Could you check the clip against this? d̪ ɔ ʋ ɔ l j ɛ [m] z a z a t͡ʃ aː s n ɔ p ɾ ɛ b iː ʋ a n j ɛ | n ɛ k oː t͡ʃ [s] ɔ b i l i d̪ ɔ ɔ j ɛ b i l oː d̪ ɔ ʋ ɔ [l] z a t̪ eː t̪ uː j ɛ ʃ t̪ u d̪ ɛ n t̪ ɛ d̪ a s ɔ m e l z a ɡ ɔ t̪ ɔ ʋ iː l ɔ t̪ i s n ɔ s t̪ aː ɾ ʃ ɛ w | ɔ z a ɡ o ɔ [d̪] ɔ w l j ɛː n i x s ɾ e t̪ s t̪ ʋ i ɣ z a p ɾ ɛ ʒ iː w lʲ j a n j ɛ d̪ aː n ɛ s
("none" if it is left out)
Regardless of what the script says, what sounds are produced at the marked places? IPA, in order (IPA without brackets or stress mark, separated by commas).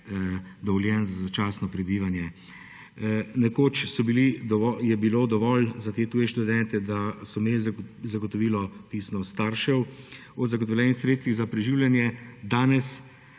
n, s, l, t̪